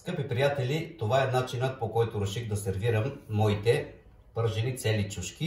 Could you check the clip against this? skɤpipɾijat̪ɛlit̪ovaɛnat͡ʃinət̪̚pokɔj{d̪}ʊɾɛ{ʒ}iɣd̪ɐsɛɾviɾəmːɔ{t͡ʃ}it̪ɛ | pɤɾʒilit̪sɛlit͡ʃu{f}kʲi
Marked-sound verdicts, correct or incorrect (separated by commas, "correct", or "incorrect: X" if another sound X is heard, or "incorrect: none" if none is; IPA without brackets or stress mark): incorrect: t̪, incorrect: ʃ, incorrect: none, incorrect: ʃ